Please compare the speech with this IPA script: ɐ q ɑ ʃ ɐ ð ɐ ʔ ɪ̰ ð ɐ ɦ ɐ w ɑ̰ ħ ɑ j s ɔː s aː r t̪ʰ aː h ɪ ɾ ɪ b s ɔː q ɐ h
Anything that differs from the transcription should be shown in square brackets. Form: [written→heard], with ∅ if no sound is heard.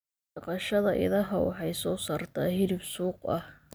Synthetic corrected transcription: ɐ q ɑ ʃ ɐ ð ɐ ʔ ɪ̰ ð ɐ ɦ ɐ w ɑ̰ ħ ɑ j s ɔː s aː r t̪ʰ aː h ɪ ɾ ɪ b s [ɔː→uː] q ɐ h